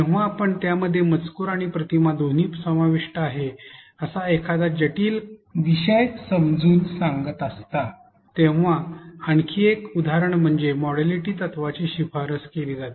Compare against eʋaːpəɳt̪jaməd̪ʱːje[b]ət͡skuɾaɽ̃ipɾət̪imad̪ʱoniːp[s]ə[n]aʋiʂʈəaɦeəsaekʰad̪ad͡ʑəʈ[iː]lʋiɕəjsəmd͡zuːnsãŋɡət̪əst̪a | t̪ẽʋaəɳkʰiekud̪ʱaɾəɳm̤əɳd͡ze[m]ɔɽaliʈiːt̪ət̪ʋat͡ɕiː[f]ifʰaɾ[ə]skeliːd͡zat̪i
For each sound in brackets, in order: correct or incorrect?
incorrect, correct, incorrect, correct, correct, incorrect, correct

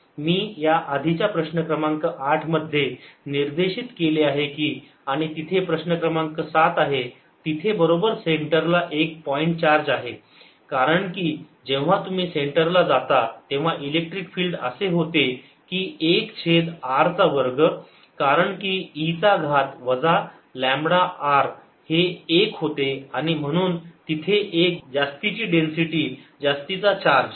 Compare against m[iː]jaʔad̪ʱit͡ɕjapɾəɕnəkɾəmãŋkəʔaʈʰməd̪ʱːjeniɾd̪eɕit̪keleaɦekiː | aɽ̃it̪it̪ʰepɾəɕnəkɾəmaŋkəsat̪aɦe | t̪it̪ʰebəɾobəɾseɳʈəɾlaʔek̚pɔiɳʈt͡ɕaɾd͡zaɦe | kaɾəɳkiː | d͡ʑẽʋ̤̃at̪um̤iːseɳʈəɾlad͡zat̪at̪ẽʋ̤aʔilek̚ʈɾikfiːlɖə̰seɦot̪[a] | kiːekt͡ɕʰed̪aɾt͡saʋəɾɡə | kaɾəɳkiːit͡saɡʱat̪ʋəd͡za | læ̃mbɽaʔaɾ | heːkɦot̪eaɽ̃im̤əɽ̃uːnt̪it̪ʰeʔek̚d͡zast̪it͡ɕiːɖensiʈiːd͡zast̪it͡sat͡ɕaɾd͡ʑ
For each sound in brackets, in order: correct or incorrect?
correct, incorrect

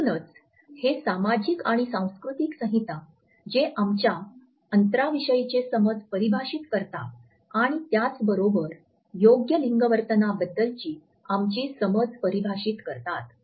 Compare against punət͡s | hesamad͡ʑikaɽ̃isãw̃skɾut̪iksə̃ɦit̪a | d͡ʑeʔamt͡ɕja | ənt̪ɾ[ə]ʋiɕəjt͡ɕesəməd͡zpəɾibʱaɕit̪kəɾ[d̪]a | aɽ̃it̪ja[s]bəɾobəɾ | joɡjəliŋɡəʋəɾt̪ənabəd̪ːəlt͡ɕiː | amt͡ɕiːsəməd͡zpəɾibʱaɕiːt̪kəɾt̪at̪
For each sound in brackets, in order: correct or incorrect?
incorrect, incorrect, incorrect

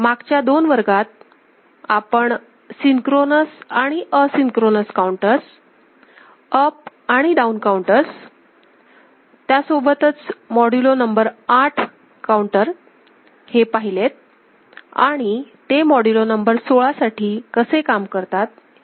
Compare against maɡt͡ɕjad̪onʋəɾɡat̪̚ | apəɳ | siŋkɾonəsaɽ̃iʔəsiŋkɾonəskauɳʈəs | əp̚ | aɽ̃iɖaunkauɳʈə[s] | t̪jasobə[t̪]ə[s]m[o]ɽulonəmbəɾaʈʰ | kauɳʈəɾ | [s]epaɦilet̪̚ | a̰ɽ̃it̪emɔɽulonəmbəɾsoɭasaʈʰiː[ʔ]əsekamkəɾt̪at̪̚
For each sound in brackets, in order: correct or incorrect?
correct, correct, incorrect, incorrect, incorrect, incorrect

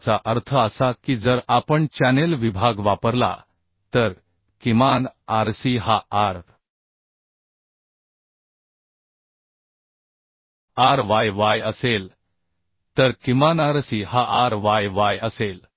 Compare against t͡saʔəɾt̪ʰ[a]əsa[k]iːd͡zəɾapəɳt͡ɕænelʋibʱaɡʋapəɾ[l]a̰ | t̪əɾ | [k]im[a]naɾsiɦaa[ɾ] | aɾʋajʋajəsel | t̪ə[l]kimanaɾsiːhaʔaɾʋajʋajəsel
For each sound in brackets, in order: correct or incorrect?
incorrect, correct, correct, correct, correct, correct, incorrect

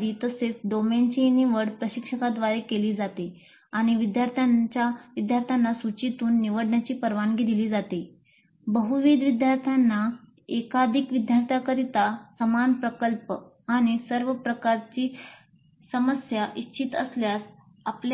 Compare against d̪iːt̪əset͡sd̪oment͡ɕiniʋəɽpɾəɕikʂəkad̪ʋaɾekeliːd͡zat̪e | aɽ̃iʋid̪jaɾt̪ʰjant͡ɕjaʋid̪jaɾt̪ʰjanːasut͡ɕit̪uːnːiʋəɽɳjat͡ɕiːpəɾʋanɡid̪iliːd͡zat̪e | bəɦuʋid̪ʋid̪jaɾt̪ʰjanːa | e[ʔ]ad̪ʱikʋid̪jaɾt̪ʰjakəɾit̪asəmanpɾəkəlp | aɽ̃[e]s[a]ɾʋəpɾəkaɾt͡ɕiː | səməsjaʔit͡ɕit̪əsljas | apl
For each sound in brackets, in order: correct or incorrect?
incorrect, incorrect, incorrect

